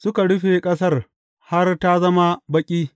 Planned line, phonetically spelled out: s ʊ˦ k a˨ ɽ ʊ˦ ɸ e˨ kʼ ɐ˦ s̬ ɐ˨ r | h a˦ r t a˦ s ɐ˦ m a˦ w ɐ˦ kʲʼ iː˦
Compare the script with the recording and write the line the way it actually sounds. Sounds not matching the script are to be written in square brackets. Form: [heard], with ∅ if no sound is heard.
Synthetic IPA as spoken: s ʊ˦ k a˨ ɽ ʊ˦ ɸ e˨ kʼ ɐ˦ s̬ [ɐ˦] r | h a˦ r t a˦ [z] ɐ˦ m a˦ [b] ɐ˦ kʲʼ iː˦

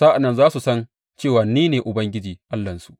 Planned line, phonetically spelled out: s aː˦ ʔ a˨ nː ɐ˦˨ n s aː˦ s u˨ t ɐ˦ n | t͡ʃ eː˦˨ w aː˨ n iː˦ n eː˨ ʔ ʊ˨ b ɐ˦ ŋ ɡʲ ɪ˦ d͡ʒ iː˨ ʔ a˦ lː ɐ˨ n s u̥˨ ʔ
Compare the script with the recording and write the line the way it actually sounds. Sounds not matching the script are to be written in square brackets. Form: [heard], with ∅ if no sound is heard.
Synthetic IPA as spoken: s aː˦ ʔ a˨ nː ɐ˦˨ n [z] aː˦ s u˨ [s] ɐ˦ n | t͡ʃ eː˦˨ w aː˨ n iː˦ n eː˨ ʔ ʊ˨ b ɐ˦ ŋ ɡʲ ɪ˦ d͡ʒ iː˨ ʔ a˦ lː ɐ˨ n s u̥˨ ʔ

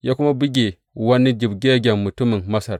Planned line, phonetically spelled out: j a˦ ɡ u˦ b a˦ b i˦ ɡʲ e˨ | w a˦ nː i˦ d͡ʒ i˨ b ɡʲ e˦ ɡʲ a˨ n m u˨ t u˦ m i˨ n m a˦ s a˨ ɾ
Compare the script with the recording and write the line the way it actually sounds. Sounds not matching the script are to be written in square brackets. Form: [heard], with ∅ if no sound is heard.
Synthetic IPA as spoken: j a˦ [k] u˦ [m] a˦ b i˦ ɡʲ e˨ | w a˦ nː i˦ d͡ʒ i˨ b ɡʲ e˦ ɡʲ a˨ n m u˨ t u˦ m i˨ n m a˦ s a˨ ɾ

